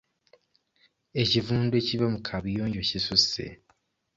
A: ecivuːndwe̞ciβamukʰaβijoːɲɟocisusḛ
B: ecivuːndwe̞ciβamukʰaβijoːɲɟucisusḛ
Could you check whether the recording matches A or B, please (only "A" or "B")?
A